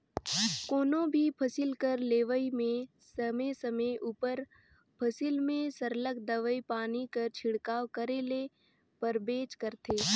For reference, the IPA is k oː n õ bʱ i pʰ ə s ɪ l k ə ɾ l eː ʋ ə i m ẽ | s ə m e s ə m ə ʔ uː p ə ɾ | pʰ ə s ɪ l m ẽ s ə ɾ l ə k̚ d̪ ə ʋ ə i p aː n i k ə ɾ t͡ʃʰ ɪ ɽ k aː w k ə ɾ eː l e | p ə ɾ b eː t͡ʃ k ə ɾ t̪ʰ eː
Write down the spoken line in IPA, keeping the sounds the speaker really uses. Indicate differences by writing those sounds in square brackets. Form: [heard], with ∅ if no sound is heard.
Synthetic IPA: k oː n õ bʱ i pʰ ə s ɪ l k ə ɾ l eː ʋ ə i m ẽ | s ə m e s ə m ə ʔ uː p ə ɾ | pʰ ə s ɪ l m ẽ s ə ɾ l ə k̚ d̪ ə ʋ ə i p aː n i k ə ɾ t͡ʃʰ ɪ ɽ k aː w k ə ɾ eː l e | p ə ɾ b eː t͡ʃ k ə ɾ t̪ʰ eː

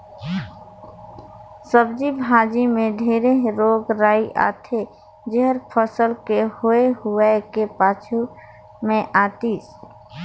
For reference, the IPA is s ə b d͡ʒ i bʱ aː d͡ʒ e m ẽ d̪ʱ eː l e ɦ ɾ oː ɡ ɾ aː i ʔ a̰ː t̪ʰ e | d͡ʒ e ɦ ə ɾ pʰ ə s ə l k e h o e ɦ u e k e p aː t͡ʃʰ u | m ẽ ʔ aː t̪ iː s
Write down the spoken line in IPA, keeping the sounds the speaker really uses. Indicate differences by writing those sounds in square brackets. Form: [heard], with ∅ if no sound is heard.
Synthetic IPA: s ə b d͡ʒ i bʱ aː d͡ʒ [i] m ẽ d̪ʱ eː [ɾ] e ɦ ɾ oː ɡ ɾ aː i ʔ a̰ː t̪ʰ e | d͡ʒ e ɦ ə ɾ pʰ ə s ə l k e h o e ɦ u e k e p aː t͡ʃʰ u | m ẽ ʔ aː t̪ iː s

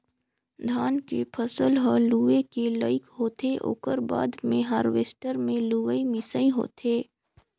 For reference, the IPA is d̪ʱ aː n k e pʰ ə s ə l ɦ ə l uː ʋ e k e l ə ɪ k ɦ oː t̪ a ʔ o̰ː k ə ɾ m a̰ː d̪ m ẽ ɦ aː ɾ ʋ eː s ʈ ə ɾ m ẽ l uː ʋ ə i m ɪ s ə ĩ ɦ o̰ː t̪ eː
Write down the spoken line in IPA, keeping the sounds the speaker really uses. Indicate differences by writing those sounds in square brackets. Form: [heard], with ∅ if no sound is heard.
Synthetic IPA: d̪ʱ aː n k e pʰ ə s ə l ɦ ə l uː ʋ e k e l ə ɪ k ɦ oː t̪ [e] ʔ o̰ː k ə ɾ [b] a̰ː d̪ m ẽ ɦ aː ɾ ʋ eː s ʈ ə ɾ m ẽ l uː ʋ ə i m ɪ s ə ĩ ɦ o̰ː t̪ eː

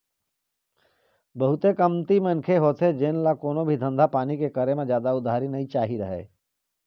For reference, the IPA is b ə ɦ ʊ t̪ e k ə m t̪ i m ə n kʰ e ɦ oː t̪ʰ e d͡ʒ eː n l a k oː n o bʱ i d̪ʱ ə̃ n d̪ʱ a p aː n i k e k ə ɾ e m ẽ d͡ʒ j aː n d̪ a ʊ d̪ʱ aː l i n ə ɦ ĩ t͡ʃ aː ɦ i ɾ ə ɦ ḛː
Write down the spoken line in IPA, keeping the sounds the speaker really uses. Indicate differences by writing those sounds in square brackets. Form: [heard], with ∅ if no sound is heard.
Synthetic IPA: b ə ɦ ʊ t̪ e k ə m t̪ i m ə n kʰ e ɦ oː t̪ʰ e d͡ʒ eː n l a k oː n o bʱ i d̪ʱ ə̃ n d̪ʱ a p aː n i k e k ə ɾ e m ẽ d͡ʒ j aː [∅] d̪ a ʊ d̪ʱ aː [ɾ] i n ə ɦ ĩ t͡ʃ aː ɦ i ɾ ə ɦ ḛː

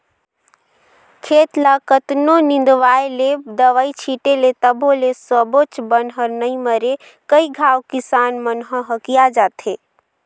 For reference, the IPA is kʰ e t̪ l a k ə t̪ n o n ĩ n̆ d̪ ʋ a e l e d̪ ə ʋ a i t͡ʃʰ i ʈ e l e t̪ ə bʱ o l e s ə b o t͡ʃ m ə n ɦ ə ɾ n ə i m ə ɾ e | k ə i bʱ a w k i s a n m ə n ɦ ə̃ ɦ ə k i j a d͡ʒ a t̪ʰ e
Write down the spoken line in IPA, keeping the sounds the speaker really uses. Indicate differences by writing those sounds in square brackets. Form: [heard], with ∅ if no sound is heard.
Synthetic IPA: kʰ e t̪ l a k ə t̪ n o n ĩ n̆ d̪ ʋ a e l e d̪ ə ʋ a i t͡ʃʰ i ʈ e l e t̪ ə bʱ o l e s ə b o t͡ʃ [b] ə n ɦ ə ɾ n ə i m ə ɾ e | k ə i [ɡʱ] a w k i s a n m ə n ɦ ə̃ ɦ ə k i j a d͡ʒ a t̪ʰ e

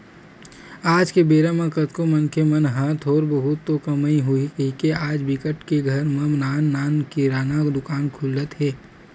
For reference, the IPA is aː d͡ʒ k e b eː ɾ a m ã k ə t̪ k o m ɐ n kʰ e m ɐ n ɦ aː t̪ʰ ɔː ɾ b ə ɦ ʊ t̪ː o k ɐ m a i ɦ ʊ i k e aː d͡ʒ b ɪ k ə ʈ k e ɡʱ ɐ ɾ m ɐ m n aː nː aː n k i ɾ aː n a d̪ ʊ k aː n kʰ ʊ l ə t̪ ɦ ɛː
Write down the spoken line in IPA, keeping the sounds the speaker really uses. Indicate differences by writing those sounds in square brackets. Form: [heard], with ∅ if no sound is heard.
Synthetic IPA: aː d͡ʒ k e b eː ɾ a m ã k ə t̪ k o m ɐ n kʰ e m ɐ n ɦ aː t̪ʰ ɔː ɾ b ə ɦ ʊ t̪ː o k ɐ m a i ɦ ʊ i k e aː d͡ʒ b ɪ k ə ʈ k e ɡʱ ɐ ɾ m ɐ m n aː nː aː n k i ɾ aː n a d̪ ʊ k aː n kʰ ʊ l ə t̪ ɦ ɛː

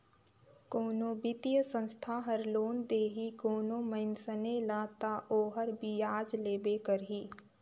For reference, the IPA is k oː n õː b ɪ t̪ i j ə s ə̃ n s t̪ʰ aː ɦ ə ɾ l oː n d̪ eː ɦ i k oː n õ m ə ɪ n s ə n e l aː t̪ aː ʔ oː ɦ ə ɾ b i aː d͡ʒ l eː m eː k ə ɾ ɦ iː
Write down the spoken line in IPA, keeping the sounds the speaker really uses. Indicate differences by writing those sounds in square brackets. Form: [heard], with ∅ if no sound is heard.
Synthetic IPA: k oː n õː b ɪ t̪ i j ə s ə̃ n s t̪ʰ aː ɦ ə ɾ l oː n d̪ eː ɦ i k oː n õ m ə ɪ n s ə n e l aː t̪ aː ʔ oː ɦ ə ɾ b i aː d͡ʒ l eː [b] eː k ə ɾ ɦ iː

